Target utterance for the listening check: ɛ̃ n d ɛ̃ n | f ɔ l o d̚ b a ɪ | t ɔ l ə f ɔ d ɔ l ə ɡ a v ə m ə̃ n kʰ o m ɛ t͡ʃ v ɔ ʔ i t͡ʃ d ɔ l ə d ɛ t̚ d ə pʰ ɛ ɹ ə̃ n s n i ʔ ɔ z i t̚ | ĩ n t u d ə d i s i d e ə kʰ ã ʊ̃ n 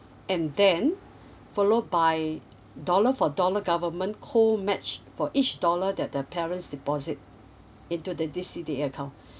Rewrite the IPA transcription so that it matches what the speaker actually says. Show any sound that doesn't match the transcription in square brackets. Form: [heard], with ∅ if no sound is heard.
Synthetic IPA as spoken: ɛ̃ n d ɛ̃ n | f ɔ l o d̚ b a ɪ | [d] ɔ l ə f ɔ d ɔ l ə ɡ a v ə m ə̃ n kʰ o m ɛ t͡ʃ [f] ɔ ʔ i t͡ʃ d ɔ l ə d ɛ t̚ d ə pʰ ɛ ɹ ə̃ n s [d] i [p] ɔ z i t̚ | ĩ n t u d ə d i s i d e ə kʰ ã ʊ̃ n